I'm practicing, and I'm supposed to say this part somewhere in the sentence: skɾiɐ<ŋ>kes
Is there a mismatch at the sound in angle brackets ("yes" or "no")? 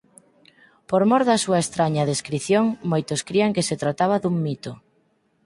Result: no